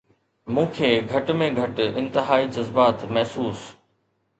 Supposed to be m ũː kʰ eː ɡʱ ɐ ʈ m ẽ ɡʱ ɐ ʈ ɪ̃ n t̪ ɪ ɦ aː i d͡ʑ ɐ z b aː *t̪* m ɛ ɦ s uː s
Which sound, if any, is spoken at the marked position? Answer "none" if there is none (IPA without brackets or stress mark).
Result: t̪